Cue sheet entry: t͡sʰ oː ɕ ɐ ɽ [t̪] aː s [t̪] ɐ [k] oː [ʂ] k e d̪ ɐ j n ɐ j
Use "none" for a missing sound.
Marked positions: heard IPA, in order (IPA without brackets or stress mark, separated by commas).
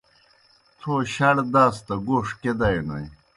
d̪, t̪, ɡ, ʂ